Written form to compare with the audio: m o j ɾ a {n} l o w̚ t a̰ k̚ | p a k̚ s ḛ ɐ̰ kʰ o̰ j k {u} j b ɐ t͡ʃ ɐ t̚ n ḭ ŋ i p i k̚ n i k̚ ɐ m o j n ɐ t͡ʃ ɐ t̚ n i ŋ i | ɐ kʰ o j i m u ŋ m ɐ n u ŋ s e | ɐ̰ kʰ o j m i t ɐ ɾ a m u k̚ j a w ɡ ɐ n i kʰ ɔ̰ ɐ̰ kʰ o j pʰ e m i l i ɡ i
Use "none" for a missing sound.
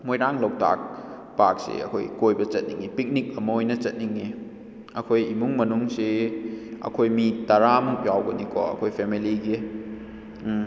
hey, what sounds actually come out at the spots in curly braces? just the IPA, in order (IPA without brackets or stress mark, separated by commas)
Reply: ŋ, o